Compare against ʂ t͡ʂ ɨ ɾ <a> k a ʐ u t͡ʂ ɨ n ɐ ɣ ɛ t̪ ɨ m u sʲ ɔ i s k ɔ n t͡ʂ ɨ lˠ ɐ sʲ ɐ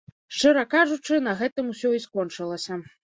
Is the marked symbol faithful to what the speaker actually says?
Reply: no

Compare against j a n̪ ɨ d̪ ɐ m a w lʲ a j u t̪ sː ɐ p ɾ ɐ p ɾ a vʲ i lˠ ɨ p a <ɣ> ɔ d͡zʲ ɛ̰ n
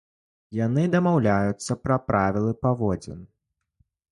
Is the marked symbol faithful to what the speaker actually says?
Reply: no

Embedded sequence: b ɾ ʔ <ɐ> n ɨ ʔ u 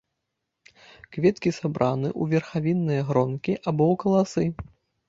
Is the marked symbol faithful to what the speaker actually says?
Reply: no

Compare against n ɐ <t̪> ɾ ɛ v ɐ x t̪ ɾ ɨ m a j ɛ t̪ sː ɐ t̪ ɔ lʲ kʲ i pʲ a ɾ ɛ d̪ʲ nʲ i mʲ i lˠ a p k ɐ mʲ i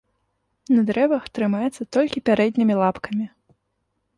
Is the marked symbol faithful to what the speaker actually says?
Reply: no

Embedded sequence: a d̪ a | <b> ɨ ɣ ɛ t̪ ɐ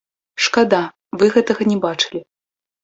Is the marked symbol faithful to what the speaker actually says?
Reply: no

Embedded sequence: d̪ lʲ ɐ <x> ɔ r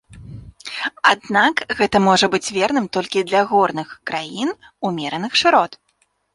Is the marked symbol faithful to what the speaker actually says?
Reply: no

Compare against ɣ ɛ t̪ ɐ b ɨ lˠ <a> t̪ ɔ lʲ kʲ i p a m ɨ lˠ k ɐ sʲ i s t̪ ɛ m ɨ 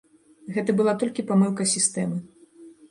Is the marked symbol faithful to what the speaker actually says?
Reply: yes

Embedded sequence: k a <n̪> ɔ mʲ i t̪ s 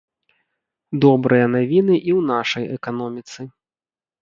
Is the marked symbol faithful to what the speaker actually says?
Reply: yes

